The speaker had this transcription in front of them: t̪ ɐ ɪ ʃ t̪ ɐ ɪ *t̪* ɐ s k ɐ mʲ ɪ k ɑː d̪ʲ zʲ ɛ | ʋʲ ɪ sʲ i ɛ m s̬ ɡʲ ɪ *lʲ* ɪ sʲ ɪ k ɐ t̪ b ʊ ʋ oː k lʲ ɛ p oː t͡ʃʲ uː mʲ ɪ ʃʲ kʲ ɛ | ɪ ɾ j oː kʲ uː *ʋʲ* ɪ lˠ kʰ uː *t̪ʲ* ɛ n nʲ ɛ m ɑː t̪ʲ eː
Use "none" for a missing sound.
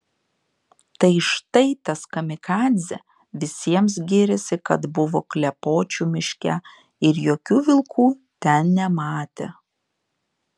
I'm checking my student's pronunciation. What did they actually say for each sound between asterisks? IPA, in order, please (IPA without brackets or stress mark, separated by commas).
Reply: t̪, ɾʲ, ʋʲ, t̪ʲ